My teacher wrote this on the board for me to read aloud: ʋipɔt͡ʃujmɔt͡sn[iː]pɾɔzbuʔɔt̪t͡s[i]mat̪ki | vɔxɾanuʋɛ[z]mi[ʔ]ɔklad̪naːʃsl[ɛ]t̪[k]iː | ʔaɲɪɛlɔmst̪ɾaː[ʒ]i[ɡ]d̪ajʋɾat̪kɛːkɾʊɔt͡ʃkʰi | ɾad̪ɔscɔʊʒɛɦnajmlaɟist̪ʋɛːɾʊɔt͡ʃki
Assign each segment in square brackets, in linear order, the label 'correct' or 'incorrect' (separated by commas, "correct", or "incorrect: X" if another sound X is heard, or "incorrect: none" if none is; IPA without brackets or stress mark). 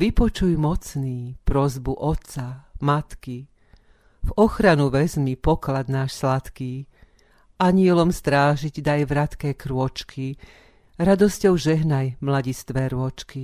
correct, incorrect: a, correct, incorrect: p, incorrect: a, correct, correct, incorrect: ɟ